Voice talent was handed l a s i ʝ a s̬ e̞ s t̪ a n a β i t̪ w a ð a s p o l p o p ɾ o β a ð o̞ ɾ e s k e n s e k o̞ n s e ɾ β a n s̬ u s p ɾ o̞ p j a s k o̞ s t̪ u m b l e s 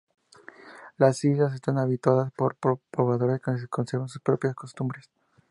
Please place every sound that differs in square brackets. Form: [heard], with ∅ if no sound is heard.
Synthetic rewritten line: l a s i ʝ a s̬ e̞ s t̪ a n a β i t̪ w a ð a s p o [ɾ] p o p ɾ o β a ð o̞ ɾ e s k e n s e k o̞ n s e ɾ β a n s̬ u s p ɾ o̞ p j a s k o̞ s t̪ u m b [ɾ] e s